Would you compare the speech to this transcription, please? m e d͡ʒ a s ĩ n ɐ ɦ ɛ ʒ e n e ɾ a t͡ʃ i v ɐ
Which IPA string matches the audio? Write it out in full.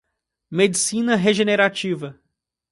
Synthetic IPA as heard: m e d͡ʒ i s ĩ n ɐ ɦ e ʒ e n e ɾ a t͡ʃ i v ɐ